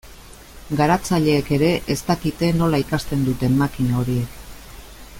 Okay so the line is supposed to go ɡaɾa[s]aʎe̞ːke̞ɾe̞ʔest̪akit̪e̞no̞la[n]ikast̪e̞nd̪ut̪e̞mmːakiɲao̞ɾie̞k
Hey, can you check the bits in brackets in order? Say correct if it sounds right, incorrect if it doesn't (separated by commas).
incorrect, incorrect